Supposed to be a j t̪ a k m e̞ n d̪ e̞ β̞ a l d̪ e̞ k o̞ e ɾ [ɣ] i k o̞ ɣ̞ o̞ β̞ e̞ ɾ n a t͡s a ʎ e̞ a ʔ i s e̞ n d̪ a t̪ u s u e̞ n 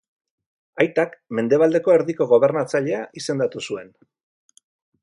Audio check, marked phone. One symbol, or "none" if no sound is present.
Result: ð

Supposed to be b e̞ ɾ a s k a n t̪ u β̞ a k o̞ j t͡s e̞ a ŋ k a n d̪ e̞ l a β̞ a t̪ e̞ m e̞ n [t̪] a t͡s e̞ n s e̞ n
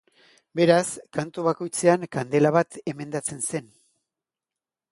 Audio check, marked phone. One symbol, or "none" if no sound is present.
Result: d̪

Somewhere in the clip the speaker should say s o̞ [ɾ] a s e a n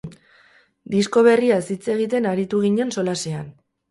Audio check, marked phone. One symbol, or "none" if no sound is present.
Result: l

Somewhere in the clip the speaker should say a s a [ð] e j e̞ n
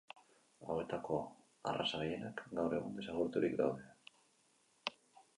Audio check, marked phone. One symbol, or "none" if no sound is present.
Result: ɣ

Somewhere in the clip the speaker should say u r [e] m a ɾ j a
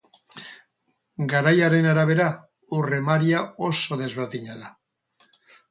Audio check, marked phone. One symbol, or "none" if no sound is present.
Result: e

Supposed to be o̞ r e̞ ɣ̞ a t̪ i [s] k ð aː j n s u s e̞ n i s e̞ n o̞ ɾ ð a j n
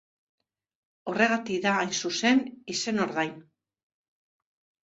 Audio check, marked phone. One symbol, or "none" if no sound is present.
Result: none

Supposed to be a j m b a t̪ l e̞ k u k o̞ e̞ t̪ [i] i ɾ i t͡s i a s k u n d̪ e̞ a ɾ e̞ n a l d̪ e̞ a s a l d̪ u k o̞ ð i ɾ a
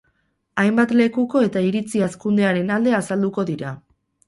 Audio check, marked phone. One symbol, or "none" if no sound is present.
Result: a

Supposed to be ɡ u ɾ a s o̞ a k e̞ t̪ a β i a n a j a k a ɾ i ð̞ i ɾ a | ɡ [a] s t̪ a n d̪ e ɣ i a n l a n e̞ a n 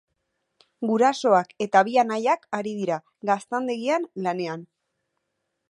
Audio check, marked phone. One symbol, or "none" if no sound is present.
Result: a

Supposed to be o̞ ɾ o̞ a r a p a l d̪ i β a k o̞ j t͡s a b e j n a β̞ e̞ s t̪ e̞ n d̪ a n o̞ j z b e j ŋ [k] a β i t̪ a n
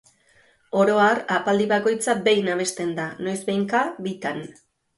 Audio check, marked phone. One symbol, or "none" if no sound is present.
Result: k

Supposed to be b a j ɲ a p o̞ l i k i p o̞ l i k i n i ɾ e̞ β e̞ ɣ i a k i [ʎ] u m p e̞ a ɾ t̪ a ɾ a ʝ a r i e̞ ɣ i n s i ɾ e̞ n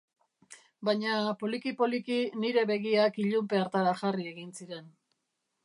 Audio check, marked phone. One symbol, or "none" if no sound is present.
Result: ʎ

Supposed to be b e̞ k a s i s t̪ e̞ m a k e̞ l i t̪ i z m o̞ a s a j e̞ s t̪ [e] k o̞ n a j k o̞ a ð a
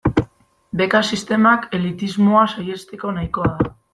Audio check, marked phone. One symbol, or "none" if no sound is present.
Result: e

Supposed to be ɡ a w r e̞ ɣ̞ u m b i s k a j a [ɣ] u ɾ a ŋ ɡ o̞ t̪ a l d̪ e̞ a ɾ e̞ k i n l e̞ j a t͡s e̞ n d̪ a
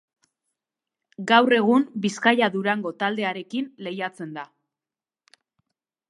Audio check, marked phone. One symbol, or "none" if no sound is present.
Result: ð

